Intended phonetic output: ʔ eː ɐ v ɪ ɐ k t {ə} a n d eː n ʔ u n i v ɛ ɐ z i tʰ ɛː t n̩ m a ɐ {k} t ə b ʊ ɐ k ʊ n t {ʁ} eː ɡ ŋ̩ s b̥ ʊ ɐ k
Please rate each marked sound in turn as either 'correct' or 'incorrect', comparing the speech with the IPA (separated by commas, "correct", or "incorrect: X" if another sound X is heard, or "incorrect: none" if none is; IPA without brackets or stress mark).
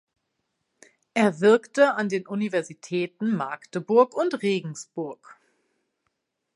correct, correct, correct